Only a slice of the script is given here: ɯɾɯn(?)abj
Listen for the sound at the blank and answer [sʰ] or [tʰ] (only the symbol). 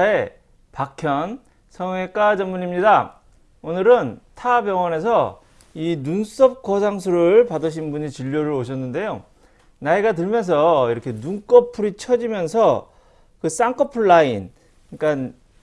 tʰ